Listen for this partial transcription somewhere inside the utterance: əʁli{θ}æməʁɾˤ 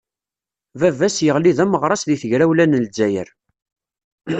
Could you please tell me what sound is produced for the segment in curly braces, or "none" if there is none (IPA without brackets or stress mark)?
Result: ð